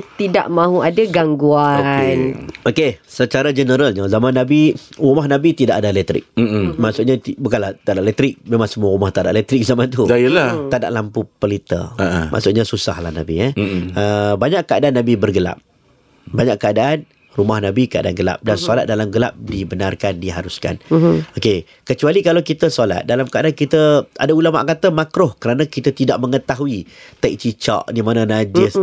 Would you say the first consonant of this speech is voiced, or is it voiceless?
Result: voiceless